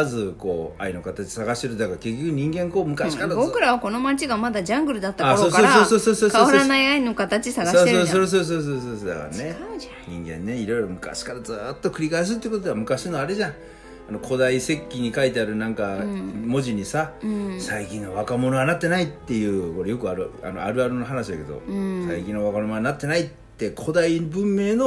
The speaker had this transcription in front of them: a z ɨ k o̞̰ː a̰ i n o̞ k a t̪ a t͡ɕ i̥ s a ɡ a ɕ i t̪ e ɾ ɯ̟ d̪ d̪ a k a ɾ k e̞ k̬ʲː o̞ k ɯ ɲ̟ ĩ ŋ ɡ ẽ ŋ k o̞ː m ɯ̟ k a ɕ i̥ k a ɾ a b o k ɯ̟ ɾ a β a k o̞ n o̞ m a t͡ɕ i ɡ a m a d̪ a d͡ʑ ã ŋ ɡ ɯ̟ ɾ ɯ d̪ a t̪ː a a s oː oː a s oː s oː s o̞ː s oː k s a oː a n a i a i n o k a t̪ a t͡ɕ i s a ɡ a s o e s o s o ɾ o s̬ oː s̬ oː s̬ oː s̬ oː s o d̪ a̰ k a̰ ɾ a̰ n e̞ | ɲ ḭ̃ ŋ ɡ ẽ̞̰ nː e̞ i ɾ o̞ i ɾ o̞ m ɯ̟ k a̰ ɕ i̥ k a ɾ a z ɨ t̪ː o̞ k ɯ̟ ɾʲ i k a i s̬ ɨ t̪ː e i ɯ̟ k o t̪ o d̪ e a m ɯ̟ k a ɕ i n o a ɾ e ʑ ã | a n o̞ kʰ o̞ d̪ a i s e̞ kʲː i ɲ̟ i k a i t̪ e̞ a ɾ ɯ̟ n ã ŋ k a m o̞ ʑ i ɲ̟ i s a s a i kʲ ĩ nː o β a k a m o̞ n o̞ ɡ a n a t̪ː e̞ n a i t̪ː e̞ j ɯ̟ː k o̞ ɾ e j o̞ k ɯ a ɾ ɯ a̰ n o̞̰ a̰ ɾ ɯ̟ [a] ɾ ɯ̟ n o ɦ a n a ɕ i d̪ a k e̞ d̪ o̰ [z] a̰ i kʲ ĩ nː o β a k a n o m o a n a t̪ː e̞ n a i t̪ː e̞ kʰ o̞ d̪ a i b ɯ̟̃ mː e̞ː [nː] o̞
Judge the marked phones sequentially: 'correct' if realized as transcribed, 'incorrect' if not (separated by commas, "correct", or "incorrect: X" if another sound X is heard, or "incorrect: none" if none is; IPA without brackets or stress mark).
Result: correct, incorrect: s, incorrect: n